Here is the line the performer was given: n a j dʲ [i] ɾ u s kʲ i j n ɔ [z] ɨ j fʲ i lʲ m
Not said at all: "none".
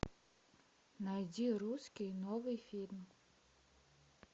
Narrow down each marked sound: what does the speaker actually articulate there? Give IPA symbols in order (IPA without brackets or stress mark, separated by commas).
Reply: i, v